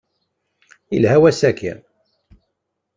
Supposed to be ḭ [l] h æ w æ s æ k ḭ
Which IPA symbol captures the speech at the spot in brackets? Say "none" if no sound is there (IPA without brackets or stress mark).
l